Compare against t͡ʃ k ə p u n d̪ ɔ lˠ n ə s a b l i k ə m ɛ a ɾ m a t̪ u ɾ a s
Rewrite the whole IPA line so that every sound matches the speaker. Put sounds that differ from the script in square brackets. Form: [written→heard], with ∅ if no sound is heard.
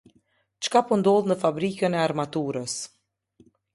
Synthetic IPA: t͡ʃ k [ə→a] p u n d̪ ɔ lˠ n ə [s→f] a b [l→ɾ] i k ə [m→n] ɛ a ɾ m a t̪ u ɾ [a→ə] s